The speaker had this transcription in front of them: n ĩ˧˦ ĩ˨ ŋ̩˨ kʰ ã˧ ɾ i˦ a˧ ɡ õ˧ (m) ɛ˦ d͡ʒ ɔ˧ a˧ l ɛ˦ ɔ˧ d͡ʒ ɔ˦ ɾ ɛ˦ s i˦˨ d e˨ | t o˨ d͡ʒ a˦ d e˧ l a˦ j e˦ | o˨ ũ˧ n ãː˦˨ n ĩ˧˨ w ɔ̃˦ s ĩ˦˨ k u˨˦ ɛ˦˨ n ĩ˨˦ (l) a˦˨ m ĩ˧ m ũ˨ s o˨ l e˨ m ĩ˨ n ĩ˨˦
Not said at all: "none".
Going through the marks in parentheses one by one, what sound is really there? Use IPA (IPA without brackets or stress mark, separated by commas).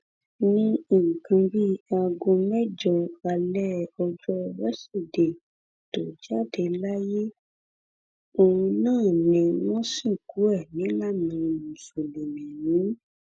m, l